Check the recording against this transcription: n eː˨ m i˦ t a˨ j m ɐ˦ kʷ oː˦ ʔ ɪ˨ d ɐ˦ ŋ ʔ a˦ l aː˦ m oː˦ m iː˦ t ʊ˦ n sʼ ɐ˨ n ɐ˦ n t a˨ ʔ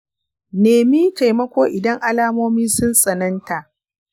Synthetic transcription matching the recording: n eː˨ m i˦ t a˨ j m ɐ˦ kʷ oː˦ ʔ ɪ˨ d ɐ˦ ŋ ʔ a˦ l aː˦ m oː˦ m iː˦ s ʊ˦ n sʼ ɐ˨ n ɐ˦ n t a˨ ʔ